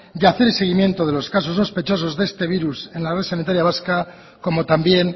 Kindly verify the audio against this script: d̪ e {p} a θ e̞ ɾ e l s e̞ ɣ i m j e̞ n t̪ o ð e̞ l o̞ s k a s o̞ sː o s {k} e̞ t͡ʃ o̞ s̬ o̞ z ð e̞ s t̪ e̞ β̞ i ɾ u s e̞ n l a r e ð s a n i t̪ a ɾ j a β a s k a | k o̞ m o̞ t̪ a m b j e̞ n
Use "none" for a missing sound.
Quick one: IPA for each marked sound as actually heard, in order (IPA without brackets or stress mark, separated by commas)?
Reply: none, p